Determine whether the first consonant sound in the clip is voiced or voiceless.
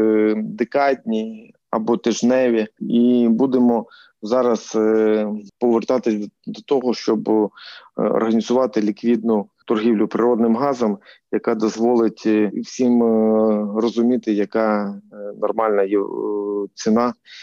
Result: voiced